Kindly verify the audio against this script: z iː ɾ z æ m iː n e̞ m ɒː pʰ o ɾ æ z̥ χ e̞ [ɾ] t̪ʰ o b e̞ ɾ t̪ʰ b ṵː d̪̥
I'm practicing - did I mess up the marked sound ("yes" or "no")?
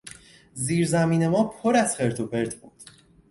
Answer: no